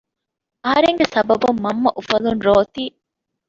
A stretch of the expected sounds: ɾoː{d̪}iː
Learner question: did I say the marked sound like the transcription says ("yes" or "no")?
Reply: no